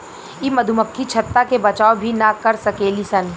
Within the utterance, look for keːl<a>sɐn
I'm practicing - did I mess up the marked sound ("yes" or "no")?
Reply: yes